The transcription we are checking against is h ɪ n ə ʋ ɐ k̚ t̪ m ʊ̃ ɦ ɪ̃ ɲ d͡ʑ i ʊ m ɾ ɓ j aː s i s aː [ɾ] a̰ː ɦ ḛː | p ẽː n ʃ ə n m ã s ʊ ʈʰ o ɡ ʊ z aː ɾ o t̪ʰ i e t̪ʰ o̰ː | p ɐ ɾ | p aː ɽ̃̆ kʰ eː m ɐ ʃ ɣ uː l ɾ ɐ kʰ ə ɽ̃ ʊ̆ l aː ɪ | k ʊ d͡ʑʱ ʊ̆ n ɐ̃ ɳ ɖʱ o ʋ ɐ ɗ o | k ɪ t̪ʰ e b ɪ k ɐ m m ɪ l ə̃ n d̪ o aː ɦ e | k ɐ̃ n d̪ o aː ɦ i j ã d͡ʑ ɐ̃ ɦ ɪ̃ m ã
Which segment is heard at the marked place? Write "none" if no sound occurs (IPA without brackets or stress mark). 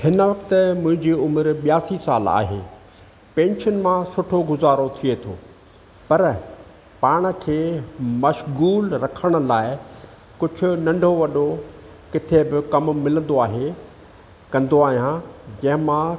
l